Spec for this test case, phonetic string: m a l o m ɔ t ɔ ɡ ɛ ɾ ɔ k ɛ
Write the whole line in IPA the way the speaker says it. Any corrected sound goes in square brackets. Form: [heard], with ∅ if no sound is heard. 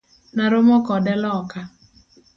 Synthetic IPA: [n] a [ɾ] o m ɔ [k] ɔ [d] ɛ [l] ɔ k [a]